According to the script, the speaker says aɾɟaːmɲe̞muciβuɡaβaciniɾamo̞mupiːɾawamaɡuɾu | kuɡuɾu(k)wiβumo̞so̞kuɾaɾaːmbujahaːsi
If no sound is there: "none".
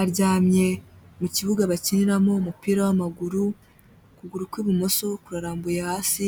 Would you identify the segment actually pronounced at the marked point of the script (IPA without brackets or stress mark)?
k